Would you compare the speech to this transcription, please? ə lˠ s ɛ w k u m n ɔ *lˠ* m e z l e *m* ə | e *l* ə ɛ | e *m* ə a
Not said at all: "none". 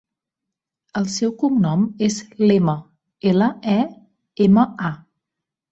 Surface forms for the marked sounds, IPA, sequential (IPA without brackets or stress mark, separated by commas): none, m, l, m